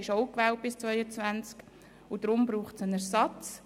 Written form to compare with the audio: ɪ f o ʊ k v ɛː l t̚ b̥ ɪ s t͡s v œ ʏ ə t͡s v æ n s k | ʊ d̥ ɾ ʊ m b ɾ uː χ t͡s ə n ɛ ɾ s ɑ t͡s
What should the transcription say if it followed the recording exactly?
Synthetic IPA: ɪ ʃ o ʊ k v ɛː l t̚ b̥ ɪ s t͡s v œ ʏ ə t͡s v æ n t͡s k | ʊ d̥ ɾ ʊ m b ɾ uː χ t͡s ə n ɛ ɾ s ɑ t͡s